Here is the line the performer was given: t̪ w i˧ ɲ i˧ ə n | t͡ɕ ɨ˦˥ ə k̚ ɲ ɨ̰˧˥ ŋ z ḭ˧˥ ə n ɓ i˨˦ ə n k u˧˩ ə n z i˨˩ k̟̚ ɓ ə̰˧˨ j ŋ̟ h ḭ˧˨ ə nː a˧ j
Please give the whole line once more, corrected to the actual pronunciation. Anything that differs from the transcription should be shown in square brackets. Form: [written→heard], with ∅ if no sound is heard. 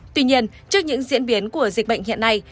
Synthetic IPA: t̪ w i˧ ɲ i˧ ə n | t͡ɕ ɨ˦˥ ə k̚ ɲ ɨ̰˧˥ ŋ z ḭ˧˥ ə n ɓ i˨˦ ə n k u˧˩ ə [n→∅] z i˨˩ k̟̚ ɓ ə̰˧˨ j ŋ̟ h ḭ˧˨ ə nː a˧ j